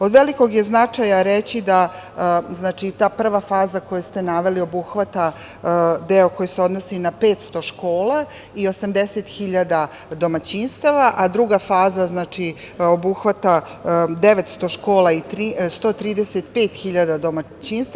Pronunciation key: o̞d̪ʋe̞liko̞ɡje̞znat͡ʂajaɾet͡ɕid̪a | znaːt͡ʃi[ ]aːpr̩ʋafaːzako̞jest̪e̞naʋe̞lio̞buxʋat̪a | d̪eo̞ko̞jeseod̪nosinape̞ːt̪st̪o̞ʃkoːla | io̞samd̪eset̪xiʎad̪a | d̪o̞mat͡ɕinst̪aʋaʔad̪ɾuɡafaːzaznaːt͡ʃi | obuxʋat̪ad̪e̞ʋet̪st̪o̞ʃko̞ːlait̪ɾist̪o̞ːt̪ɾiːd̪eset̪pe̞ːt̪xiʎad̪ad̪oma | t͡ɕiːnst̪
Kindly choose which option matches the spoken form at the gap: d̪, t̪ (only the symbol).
t̪